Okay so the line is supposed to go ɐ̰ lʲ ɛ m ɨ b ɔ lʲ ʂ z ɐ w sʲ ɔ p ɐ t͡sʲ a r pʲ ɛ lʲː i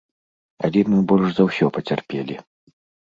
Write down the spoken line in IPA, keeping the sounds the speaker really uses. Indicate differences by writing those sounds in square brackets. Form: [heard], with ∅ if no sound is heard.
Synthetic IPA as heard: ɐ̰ lʲ ɛ m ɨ b ɔ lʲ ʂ z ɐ w sʲ ɔ p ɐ t͡sʲ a r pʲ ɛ [lʲ] i